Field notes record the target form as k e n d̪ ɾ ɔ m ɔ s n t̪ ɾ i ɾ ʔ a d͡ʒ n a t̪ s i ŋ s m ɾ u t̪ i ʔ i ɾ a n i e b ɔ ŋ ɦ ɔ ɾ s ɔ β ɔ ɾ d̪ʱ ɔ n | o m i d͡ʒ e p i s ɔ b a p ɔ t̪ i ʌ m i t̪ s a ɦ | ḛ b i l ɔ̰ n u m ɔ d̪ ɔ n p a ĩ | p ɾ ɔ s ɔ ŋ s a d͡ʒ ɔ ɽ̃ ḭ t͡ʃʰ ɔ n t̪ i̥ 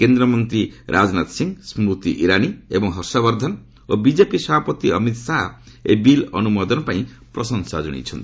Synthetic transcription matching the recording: k e n d̪ ɾ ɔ m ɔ n t̪ ɾ i ɾ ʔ a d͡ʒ n a t̪ s i ŋ s m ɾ u t̪ i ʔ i ɾ a n i e b ɔ ŋ ɦ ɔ ɾ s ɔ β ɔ ɾ d̪ʱ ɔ n | o b i d͡ʒ e p i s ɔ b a p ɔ t̪ i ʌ m i t̪ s a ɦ | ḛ b i l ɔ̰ n u m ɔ d̪ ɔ n p a ĩ | p ɾ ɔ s ɔ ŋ s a d͡ʒ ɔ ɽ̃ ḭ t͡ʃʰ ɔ n t̪ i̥